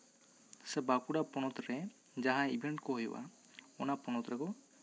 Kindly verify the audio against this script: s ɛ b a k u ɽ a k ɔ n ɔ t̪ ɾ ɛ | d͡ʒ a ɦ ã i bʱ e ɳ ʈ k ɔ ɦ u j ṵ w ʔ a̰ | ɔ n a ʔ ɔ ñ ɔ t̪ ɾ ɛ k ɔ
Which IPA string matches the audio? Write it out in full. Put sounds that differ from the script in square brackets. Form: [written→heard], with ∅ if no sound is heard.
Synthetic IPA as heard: s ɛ b a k u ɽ a [k→p] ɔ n ɔ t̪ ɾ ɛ | d͡ʒ a ɦ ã i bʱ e ɳ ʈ k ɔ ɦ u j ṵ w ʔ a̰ | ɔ n a [ʔ→p] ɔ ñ ɔ t̪ ɾ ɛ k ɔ